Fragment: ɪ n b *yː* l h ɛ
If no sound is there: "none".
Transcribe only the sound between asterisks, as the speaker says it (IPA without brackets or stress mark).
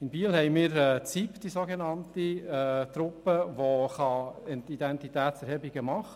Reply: iː